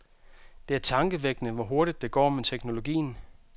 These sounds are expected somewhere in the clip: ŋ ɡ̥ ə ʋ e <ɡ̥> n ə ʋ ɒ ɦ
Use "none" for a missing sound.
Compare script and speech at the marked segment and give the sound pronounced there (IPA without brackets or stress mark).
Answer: ɡ̥